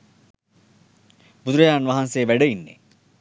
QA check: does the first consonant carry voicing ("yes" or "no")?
yes